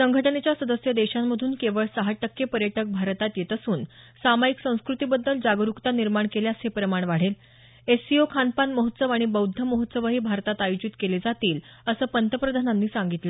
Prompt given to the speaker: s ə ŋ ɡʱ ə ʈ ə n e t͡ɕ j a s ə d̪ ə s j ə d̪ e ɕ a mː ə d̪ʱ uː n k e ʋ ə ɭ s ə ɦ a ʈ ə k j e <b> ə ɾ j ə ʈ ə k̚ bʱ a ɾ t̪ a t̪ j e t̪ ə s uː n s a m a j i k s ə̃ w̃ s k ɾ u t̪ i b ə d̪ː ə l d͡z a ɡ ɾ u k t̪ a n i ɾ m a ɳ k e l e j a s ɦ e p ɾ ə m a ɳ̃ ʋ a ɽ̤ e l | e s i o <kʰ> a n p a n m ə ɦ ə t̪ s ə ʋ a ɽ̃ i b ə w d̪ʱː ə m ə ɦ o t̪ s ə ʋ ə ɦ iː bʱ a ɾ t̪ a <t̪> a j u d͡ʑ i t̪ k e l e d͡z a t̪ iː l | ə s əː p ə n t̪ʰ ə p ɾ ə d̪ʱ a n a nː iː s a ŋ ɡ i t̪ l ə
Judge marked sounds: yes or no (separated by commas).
no, yes, yes